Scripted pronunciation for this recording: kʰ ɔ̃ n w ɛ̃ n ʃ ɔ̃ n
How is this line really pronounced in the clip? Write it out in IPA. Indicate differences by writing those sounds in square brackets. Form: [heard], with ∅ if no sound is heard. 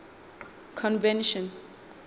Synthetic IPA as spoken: kʰ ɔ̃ n [v] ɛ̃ n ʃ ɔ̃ n